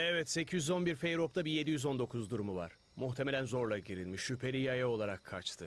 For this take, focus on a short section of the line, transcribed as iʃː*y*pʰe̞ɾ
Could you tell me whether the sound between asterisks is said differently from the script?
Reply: no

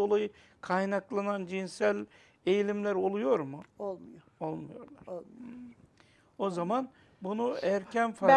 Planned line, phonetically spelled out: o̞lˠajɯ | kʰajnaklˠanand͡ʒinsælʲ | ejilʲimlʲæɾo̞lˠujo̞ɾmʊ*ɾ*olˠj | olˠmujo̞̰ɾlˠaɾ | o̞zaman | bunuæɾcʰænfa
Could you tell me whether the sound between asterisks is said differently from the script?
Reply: yes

